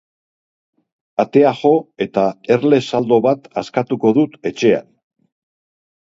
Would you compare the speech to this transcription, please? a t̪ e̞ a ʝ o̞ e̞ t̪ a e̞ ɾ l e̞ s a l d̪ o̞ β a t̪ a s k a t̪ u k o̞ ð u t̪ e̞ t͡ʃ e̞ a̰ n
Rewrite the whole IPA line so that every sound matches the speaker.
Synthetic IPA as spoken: a t̪ e̞ a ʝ o̞ e̞ t̪ a e̞ ɾ l e̞ s a l d̪ o̞ β a t̪ a s k a t̪ u k o̞ ð u t̪ e̞ t͡ʃ e̞ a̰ n